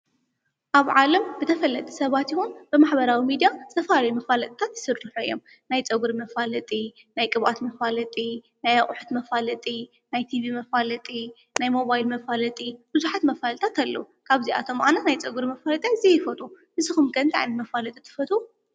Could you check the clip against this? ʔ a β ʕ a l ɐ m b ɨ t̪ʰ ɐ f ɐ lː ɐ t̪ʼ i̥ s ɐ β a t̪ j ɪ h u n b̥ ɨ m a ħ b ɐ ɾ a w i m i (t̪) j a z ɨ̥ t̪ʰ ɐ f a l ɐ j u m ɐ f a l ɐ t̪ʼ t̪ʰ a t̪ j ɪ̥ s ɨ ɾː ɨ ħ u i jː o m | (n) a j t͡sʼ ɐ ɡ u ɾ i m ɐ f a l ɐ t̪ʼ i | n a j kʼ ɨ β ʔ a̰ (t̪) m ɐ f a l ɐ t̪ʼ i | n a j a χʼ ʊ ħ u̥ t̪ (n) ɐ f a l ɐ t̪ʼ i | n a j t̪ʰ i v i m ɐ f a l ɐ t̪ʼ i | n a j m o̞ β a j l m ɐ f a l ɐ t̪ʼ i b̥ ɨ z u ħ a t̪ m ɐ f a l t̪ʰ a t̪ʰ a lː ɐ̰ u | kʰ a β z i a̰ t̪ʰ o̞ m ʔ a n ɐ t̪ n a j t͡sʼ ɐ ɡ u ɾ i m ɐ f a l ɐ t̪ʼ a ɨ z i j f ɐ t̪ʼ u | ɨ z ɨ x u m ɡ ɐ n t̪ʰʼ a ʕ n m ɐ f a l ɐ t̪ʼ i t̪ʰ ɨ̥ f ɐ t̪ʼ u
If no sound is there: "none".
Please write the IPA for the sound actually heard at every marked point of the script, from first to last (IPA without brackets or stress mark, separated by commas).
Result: d̪, n, t̪, m